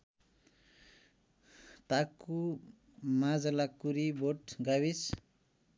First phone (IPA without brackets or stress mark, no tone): t̪